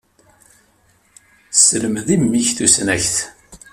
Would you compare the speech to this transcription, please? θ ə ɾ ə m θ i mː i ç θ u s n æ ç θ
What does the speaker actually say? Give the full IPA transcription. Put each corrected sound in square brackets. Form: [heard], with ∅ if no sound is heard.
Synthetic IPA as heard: [s] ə [l] ə m [ð] i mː i ç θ u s n æ ç θ